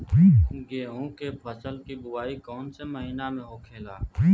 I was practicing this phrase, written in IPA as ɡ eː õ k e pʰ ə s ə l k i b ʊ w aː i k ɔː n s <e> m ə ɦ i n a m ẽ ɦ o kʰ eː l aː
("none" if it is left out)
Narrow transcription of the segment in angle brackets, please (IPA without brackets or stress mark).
e